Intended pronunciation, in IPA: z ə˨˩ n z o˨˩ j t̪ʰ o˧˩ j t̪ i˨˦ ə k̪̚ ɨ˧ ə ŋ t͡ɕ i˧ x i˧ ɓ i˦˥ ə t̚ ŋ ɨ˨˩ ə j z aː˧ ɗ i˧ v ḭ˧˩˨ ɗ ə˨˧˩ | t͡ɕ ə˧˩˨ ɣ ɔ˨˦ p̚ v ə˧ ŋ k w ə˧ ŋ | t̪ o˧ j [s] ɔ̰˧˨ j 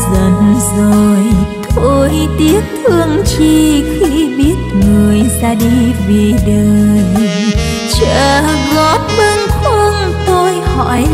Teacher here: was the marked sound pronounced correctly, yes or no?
no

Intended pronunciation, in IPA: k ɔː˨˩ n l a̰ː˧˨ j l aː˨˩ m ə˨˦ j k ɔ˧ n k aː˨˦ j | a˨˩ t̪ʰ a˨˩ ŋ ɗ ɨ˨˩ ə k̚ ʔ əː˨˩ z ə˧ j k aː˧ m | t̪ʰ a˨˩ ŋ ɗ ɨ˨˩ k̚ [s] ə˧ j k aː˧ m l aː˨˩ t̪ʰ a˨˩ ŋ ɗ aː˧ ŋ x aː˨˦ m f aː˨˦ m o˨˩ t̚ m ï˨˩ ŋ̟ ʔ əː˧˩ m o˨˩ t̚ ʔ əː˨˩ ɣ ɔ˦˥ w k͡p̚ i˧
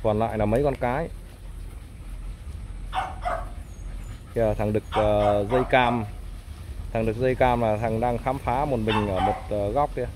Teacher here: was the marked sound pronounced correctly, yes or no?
no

